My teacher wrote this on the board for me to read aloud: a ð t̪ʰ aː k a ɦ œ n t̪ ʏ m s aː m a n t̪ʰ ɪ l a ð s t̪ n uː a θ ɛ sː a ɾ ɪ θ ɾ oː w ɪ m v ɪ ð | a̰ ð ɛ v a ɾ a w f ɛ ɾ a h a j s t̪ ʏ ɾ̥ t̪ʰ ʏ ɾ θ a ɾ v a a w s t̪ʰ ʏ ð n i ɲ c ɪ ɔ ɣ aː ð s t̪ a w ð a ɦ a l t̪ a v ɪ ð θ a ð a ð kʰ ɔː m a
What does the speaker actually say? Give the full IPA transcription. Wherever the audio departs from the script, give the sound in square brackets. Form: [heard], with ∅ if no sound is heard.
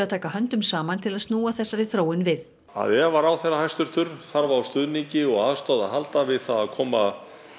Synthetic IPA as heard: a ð t̪ʰ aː k a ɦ œ n t̪ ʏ m s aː m a n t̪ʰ ɪ l a ð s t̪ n uː a θ ɛ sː a ɾ ɪ θ ɾ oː w ɪ [n] v ɪ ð | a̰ ð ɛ v a ɾ a w [θ] ɛ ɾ a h a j s t̪ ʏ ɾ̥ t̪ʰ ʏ ɾ θ a ɾ v a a w s [t̪] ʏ ð n i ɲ c ɪ ɔ ɣ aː ð s t̪ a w ð a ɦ a l t̪ a v ɪ ð θ a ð a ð kʰ ɔː m a